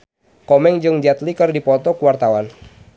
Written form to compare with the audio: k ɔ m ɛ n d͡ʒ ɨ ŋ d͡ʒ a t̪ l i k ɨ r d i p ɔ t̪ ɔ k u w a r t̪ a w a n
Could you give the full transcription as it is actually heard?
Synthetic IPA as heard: k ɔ m ɛ ŋ d͡ʒ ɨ ŋ d͡ʒ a t̪ l i k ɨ r d i p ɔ t̪ ɔ k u w a r t̪ a w a n